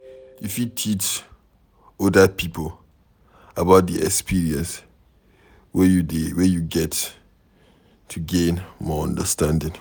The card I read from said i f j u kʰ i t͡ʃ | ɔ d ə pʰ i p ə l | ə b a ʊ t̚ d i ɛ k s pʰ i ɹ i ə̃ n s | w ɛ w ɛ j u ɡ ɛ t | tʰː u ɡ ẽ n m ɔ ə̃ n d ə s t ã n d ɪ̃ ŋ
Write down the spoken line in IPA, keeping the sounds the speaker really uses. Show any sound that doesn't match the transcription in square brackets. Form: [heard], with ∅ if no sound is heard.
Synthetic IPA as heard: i f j u [tʰ] i t͡ʃ | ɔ d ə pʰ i p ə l | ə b a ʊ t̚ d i ɛ k s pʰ i ɹ i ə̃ n s | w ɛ w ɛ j u ɡ ɛ t | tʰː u ɡ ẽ n m ɔ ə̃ n d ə s t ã n d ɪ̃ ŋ